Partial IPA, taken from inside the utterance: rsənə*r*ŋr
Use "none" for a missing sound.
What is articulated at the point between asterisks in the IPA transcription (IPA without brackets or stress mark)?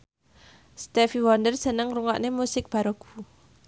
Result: none